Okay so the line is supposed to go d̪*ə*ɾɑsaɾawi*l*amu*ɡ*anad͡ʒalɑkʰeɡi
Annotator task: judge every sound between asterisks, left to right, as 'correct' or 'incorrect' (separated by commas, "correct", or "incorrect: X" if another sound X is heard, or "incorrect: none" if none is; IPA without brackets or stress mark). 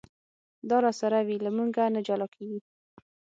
incorrect: ɑ, correct, correct